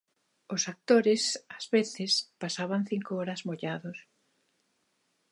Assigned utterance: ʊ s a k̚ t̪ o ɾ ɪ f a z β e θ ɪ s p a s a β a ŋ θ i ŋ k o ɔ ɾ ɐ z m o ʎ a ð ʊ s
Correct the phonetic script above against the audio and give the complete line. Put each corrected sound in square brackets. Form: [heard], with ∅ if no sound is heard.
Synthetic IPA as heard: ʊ s a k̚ t̪ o ɾ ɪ [s] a z β e θ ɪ s p a s a β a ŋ θ i ŋ k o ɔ ɾ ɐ z m o ʎ a ð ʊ s